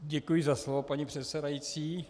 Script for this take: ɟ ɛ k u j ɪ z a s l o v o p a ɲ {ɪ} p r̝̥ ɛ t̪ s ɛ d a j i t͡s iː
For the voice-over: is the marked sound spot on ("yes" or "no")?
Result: no